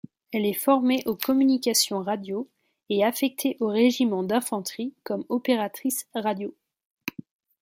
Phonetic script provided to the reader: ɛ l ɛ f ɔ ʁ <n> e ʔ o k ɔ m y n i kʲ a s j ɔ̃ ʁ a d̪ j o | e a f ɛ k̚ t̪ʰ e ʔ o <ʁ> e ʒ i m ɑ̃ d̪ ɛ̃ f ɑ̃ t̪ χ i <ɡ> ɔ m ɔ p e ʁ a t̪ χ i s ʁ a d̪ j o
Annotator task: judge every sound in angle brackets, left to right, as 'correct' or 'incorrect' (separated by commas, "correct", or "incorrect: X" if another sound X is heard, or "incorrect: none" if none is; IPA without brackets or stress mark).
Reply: incorrect: m, correct, incorrect: k